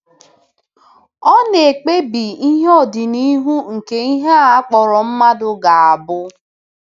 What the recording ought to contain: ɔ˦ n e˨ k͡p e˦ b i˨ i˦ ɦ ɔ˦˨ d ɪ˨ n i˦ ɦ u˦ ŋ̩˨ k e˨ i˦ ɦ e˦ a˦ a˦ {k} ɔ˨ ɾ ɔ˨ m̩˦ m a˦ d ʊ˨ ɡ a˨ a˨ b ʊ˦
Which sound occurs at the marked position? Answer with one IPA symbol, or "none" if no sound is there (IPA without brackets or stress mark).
k͡p